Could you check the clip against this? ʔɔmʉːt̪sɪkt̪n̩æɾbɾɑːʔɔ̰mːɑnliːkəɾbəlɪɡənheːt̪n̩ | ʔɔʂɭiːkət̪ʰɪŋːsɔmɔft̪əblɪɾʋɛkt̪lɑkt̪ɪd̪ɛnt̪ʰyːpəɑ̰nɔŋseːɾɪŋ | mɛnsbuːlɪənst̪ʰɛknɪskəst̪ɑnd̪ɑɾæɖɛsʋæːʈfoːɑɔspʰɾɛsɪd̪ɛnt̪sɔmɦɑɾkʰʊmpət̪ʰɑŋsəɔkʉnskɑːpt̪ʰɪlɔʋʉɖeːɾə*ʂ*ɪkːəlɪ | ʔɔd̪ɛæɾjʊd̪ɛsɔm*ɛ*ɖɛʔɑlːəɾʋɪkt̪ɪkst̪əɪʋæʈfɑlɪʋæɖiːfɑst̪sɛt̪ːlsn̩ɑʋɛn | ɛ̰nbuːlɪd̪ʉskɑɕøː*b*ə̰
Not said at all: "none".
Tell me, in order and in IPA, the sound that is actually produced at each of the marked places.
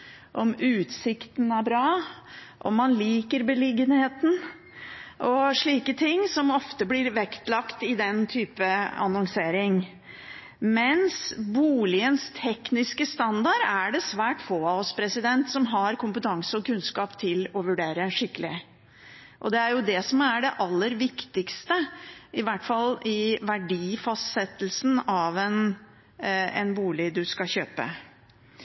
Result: ʂ, æ, p

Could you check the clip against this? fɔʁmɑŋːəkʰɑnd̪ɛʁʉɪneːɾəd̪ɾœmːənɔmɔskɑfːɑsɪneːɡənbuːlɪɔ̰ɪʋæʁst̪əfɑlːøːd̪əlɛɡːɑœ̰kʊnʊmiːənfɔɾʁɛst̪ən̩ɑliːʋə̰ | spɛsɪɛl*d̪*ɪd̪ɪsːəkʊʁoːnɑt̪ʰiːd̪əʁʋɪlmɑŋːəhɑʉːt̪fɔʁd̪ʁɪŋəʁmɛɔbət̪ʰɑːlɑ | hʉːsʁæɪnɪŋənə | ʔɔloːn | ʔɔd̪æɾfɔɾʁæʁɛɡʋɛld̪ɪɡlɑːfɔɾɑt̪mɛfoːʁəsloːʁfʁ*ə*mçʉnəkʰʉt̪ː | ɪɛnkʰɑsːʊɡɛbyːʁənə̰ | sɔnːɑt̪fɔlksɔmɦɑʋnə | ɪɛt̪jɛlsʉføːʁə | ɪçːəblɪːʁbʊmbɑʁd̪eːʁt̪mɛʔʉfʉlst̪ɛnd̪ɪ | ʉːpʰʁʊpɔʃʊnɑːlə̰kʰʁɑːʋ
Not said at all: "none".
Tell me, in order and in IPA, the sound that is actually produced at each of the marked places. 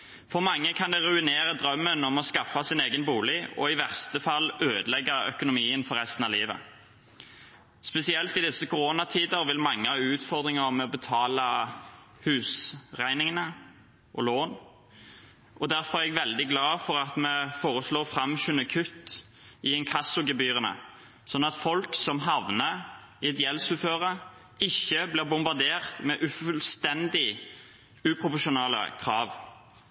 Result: t̪, ɑ

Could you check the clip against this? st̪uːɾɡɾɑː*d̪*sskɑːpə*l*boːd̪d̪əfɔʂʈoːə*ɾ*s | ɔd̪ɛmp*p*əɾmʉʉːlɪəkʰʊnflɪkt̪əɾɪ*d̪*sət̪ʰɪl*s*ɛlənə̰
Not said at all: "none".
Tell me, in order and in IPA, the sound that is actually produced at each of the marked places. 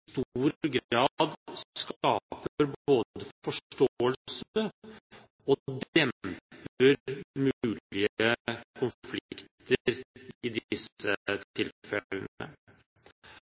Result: d̪, ɾ, l, p, d̪, f

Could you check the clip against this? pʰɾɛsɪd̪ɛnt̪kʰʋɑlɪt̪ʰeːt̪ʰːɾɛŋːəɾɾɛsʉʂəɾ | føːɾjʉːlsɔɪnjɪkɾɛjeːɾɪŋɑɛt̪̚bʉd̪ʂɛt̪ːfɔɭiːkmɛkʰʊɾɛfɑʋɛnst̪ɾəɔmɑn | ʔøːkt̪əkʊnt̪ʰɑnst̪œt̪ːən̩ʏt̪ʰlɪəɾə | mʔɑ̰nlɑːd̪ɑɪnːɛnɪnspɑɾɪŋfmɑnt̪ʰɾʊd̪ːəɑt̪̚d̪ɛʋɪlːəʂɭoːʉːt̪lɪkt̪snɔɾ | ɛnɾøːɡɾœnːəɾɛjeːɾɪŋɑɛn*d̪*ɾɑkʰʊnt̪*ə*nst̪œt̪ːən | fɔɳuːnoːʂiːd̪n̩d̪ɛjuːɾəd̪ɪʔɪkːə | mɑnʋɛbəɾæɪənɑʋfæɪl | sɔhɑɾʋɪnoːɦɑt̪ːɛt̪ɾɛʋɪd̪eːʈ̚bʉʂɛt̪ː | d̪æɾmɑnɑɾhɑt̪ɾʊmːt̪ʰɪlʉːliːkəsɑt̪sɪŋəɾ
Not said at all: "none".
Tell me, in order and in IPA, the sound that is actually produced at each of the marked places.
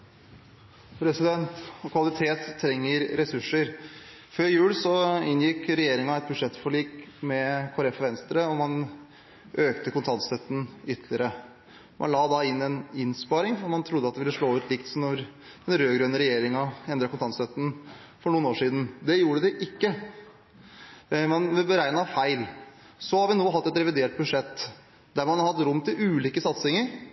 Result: d̪, ɑ

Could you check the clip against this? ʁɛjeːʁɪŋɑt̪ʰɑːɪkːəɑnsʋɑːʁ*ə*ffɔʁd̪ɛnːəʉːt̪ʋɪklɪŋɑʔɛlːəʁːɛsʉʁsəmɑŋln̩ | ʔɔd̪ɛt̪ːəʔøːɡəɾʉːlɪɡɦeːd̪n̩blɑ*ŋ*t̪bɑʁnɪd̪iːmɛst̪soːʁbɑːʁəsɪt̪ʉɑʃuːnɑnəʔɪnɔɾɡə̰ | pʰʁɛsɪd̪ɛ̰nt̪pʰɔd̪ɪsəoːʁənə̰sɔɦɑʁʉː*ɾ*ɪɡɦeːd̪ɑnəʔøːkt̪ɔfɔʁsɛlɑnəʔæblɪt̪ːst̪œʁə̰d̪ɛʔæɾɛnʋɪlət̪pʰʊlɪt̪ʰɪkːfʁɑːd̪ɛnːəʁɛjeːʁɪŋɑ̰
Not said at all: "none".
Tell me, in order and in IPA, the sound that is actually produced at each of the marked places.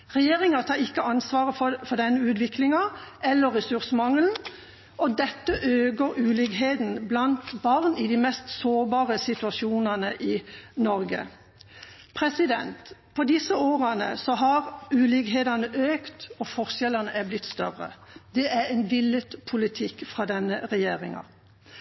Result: ə, n, l

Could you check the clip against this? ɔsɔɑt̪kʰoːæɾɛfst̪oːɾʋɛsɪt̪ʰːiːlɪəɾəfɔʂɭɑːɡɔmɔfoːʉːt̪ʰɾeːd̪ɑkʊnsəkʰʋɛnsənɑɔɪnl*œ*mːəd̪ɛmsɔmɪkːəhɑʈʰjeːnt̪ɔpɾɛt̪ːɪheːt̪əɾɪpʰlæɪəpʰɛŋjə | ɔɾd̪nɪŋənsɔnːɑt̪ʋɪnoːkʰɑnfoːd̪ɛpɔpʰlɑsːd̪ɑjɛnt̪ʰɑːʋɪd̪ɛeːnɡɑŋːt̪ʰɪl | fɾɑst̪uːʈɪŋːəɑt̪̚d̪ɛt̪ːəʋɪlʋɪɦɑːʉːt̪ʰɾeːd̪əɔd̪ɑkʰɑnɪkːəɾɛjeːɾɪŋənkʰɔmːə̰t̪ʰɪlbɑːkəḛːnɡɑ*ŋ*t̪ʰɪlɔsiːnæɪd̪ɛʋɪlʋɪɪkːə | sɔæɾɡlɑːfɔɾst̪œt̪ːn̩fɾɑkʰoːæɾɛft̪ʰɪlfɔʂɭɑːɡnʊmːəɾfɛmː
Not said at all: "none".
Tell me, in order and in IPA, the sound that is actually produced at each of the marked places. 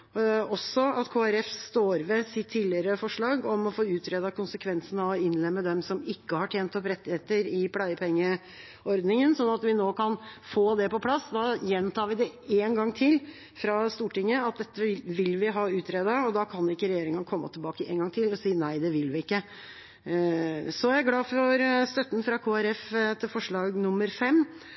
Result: ɛ, ŋ

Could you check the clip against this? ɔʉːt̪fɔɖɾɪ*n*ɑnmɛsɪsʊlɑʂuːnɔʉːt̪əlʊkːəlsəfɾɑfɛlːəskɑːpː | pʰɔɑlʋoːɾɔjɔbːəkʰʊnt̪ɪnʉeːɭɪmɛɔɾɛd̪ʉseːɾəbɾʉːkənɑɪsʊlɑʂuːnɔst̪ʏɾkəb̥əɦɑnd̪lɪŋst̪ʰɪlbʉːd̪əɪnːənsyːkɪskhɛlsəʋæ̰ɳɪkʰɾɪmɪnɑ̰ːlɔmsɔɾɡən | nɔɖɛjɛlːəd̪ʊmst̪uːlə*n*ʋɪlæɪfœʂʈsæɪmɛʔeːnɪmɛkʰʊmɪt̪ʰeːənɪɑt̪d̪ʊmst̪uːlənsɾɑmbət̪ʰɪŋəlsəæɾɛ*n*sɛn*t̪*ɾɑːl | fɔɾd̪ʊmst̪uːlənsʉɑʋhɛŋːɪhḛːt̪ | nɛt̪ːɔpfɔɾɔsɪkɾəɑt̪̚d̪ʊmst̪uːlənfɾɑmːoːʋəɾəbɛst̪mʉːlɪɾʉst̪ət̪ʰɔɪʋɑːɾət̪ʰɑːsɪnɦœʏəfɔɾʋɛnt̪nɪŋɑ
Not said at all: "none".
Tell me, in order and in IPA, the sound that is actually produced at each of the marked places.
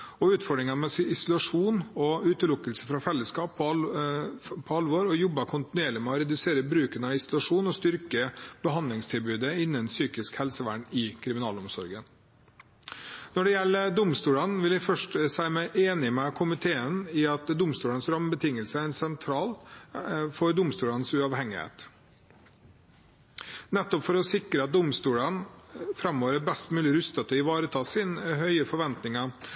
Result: ŋ, n, n, t̪ʰ

